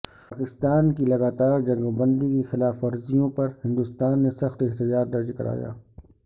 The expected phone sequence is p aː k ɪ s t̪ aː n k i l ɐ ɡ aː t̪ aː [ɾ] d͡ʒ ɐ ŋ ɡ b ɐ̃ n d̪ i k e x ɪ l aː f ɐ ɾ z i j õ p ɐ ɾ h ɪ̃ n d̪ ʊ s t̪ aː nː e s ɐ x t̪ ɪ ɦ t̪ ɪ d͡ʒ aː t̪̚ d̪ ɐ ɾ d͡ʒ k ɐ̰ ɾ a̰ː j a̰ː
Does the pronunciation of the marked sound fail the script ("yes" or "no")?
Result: no